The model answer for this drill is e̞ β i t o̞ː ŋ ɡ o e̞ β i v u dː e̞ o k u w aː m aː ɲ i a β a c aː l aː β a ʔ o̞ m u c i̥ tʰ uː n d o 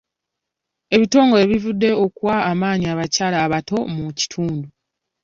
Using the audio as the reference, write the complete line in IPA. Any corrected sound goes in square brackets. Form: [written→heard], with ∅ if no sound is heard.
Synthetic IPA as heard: e̞ β i t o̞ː ŋ ɡ o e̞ β i v u dː e̞ o k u w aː m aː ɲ i a β a c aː l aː β a [ʔ→t] o̞ m u c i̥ tʰ uː n d [o→u]